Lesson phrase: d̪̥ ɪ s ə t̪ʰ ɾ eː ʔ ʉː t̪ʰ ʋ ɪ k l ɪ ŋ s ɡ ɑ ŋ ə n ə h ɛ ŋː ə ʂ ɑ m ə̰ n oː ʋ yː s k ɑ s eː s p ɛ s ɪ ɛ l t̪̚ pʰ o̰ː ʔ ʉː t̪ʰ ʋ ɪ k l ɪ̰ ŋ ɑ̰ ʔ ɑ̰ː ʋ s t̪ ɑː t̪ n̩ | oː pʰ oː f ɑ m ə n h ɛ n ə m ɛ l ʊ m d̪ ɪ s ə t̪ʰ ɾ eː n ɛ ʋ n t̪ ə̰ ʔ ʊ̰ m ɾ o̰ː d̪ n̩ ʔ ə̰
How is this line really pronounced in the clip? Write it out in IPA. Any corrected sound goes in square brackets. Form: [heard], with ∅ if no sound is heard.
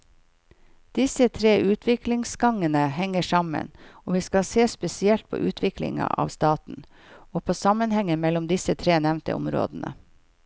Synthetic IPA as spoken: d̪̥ ɪ s ə t̪ʰ ɾ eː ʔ ʉː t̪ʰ ʋ ɪ k l ɪ ŋ s ɡ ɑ ŋ ə n ə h ɛ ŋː ə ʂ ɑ m ə̰ n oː ʋ [iː] s k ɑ s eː s p ɛ s ɪ ɛ l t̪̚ pʰ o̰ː ʔ ʉː t̪ʰ ʋ ɪ k l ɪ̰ ŋ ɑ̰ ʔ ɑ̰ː ʋ s t̪ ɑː t̪ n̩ | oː pʰ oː [s] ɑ m ə n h ɛ [ŋ] ə m ɛ l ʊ m d̪ ɪ s ə t̪ʰ ɾ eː n ɛ ʋ n t̪ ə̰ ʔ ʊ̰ m ɾ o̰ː d̪ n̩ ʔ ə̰